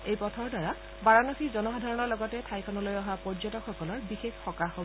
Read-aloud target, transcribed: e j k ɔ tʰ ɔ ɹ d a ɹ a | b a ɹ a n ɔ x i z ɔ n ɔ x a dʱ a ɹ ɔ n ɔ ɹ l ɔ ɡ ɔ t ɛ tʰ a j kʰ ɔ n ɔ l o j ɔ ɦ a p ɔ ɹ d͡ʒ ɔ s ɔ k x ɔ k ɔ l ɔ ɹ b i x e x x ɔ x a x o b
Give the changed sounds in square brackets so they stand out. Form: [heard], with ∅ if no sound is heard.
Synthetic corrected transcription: e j [p] ɔ tʰ ɔ ɹ d a ɹ a | b a ɹ a n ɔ x i z ɔ n ɔ x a dʱ a ɹ ɔ n ɔ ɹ l ɔ ɡ ɔ t ɛ tʰ a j kʰ ɔ n ɔ l o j ɔ ɦ a p ɔ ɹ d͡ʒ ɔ [t] ɔ k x ɔ k ɔ l ɔ ɹ b i x e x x ɔ [k] a x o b

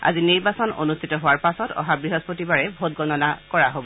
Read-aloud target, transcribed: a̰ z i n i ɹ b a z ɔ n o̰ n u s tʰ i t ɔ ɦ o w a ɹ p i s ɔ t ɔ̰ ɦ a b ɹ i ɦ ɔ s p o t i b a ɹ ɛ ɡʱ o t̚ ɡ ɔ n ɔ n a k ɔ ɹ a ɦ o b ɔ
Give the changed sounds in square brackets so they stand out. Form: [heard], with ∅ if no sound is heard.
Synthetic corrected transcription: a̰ z i n i ɹ b a [s] ɔ n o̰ n u s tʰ i t ɔ ɦ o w a ɹ p [a] s ɔ t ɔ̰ ɦ a b ɹ i ɦ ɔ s p o t i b a ɹ ɛ [bʱ] o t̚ ɡ ɔ n ɔ n a k ɔ ɹ a ɦ o b ɔ

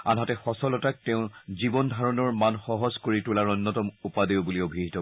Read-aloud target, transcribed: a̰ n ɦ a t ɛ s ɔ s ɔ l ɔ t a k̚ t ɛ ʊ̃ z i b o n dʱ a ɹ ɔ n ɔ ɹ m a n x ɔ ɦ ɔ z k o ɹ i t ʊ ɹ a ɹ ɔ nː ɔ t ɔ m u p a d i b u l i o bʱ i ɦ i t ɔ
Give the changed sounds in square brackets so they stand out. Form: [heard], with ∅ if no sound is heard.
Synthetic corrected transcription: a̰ n ɦ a t ɛ [x] ɔ s ɔ l ɔ t a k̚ t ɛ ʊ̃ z i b [ɔ] n dʱ a ɹ ɔ n ɔ ɹ m a n x ɔ ɦ ɔ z k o ɹ i t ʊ [l] a ɹ ɔ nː ɔ t ɔ m u p a d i b u l i o bʱ i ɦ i t ɔ

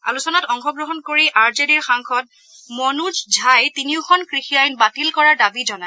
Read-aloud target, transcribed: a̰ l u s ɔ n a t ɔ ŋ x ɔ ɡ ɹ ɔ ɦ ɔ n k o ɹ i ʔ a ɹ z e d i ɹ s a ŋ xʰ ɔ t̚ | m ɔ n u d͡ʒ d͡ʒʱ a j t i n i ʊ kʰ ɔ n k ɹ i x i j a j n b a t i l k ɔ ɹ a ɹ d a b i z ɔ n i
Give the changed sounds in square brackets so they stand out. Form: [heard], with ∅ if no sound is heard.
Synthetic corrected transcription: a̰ l u s ɔ n a t ɔ ŋ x ɔ ɡ ɹ ɔ ɦ ɔ n k o ɹ i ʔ a ɹ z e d i ɹ [x] a ŋ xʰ ɔ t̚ | m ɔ n u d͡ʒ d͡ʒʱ a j t i n i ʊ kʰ ɔ n k ɹ i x i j a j n b a t i l k ɔ ɹ a ɹ d a b i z ɔ n [a]

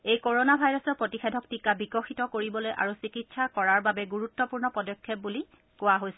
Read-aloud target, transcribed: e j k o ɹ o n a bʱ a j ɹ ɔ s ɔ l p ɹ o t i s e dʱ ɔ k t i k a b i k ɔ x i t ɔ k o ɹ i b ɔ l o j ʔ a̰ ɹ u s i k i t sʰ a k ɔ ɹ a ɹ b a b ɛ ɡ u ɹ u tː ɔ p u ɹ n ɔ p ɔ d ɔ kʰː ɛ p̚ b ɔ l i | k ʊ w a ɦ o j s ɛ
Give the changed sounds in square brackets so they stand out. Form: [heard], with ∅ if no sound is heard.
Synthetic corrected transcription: e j k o ɹ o n a bʱ a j ɹ ɔ s ɔ [ɹ] p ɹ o t i [x] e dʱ ɔ k t i k a b i k ɔ x i t ɔ k o ɹ i b ɔ l o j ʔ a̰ ɹ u s i k i t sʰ a k ɔ ɹ a ɹ b a b ɛ ɡ u ɹ u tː ɔ p u ɹ n ɔ p ɔ d ɔ kʰː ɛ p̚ b [u] l i | k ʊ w a ɦ o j s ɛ

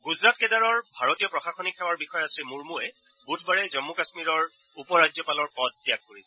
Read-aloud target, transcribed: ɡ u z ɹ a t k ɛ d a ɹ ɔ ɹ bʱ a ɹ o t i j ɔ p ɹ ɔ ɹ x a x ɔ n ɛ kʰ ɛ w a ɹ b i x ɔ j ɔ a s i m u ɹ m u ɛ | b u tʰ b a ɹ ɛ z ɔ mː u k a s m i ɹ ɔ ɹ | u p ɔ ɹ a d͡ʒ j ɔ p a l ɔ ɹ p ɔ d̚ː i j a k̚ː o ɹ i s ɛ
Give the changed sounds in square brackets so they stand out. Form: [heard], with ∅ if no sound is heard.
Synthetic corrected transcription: ɡ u z ɹ a t k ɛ d a ɹ ɔ ɹ bʱ a ɹ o t i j ɔ p ɹ ɔ [∅] x a x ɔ n [i] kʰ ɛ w a ɹ b i x ɔ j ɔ a s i m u ɹ m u ɛ | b u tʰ b a ɹ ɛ z ɔ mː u k a s m i ɹ ɔ ɹ | u p ɔ ɹ a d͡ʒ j ɔ p a l ɔ ɹ p ɔ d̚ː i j a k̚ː o ɹ i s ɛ

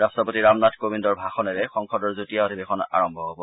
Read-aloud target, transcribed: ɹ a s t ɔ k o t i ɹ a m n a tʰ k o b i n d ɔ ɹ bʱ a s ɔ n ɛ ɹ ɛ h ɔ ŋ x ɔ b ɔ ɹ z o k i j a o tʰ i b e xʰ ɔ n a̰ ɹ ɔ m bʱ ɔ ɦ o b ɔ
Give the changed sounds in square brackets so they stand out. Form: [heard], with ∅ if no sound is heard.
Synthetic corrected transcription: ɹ a s t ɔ [p] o t i ɹ a m n a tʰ k o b i n d ɔ ɹ bʱ a [x] ɔ n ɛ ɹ ɛ [x] ɔ ŋ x ɔ [d] ɔ ɹ z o [t] i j a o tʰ i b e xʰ ɔ n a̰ ɹ ɔ m bʱ ɔ ɦ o b ɔ

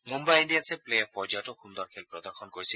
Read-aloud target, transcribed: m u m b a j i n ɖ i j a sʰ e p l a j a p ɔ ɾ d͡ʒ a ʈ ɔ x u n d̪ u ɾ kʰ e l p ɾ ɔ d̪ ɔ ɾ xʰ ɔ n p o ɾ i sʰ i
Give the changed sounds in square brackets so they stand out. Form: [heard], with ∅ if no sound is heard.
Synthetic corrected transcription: m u m b a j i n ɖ i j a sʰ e p l [e] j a p ɔ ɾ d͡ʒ a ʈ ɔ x u n d̪ [ɔ] ɾ kʰ e l p ɾ ɔ d̪ ɔ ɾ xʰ ɔ n [k] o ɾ i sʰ i

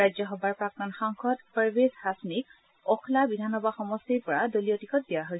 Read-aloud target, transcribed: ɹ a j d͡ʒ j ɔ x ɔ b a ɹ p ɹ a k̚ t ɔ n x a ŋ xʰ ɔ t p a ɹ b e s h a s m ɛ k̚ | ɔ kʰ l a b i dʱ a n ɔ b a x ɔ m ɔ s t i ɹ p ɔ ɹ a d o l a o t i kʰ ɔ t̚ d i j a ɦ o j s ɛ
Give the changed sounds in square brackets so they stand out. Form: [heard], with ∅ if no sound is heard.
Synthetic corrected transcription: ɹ a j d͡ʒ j ɔ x ɔ b a ɹ p ɹ a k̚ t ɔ n x a ŋ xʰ ɔ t p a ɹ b e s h a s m [i] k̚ | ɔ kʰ l a b i dʱ a n ɔ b a x ɔ m ɔ s t i ɹ p ɔ ɹ a d o l [i] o t i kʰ ɔ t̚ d i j a ɦ o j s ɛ

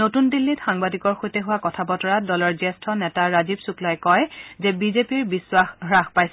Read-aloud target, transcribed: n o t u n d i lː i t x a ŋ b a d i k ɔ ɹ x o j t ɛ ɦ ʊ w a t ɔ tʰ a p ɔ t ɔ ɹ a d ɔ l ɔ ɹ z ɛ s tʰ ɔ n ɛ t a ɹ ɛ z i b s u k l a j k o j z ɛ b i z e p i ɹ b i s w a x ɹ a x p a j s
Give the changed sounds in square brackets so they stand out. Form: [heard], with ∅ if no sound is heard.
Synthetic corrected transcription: n o t u n d i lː i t x a ŋ b a d i k ɔ ɹ x o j t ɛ ɦ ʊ w a [k] ɔ tʰ a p ɔ t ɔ ɹ a d ɔ l ɔ ɹ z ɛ s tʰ ɔ n ɛ t a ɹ [a] z i b s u k l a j k [ɔ] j z ɛ b i z e p i ɹ b i s w a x ɹ a x p a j s

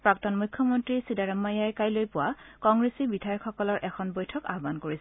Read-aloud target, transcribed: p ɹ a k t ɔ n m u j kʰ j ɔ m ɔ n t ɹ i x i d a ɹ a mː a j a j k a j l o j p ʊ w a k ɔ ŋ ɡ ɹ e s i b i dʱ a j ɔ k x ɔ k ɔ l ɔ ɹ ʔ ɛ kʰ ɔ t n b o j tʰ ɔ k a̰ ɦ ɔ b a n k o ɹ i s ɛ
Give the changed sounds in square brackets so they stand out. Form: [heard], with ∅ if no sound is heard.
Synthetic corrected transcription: p ɹ a k t ɔ n m u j kʰ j ɔ m ɔ n t ɹ i [s] i d a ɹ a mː a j a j k a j l o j p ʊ w a k ɔ ŋ ɡ ɹ e s i b i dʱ a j ɔ k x ɔ k ɔ l ɔ ɹ ʔ ɛ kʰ ɔ [∅] n b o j tʰ ɔ k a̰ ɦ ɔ b a n k o ɹ i s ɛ

